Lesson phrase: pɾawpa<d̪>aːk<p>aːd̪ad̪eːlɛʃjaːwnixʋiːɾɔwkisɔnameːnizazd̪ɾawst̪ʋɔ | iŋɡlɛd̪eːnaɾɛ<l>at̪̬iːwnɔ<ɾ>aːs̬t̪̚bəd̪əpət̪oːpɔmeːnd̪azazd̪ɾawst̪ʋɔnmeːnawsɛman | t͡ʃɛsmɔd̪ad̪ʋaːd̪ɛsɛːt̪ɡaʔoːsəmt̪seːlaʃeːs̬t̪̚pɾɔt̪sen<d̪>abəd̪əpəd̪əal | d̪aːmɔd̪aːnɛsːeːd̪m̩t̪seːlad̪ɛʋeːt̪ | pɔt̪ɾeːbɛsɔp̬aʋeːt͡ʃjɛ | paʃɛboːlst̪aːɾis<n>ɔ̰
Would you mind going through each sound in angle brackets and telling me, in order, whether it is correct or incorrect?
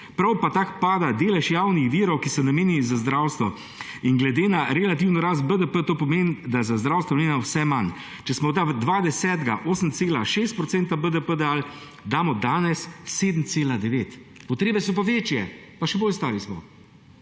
incorrect: t̪, correct, correct, correct, incorrect: t̪, incorrect: m

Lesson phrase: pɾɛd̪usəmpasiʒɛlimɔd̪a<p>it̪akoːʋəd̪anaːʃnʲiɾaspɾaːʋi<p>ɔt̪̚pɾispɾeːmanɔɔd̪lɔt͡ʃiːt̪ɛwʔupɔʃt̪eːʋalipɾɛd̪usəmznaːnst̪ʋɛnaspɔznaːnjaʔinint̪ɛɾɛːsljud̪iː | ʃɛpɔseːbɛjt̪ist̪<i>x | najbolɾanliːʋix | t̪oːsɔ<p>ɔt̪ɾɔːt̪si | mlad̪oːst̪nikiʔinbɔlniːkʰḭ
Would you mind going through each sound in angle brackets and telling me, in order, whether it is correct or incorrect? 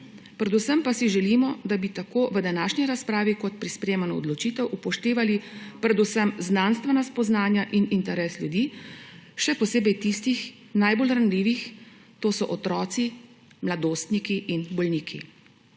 incorrect: b, incorrect: k, correct, incorrect: ʔ

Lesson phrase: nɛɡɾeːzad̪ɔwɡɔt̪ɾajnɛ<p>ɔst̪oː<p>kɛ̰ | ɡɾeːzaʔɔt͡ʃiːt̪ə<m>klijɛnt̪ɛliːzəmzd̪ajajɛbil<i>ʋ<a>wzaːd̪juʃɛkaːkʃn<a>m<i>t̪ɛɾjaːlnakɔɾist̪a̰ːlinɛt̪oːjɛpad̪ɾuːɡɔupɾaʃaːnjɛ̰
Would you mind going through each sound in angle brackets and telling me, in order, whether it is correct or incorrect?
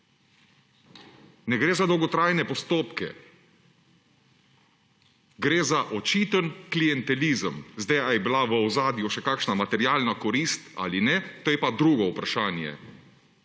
correct, correct, incorrect: n, incorrect: a, incorrect: ə, correct, incorrect: a

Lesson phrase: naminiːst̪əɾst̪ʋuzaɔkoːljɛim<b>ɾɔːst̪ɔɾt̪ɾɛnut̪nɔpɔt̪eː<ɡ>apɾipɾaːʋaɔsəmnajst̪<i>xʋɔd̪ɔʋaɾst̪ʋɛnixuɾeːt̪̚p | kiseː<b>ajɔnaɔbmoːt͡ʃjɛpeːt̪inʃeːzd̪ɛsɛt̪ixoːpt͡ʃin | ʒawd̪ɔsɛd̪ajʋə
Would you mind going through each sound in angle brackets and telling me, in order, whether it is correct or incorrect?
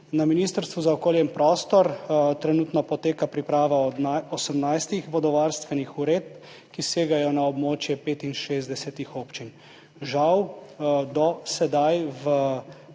incorrect: p, incorrect: k, correct, incorrect: ɡ

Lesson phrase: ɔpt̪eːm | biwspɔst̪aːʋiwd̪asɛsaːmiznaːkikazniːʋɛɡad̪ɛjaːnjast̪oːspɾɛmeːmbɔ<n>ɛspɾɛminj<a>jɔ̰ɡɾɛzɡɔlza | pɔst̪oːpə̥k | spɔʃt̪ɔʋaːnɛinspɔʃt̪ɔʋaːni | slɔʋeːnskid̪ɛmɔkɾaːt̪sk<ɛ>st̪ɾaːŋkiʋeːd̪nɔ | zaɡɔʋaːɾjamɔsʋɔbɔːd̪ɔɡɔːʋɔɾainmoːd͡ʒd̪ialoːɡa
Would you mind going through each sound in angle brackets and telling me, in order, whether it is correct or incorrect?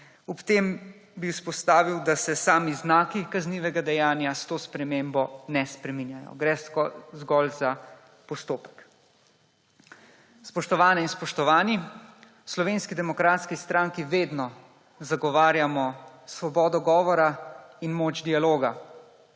correct, correct, incorrect: i

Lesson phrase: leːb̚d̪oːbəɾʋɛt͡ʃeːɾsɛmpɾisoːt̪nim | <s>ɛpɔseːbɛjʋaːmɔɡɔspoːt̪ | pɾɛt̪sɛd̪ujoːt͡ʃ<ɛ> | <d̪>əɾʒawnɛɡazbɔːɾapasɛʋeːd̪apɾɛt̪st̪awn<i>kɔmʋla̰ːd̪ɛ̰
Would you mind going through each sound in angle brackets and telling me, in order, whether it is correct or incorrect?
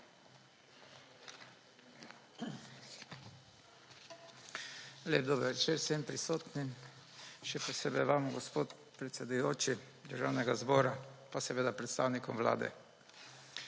incorrect: ʃ, incorrect: i, correct, correct

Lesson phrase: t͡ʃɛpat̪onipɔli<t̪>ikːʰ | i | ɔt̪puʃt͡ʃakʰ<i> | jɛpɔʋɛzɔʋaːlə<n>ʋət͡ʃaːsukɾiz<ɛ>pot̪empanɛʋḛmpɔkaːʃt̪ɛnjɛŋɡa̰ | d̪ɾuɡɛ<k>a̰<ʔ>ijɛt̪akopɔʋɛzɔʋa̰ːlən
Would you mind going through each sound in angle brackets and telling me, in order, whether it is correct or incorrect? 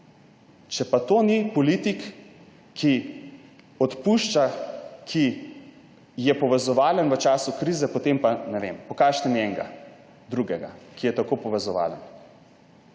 correct, correct, correct, correct, incorrect: ɡ, incorrect: k

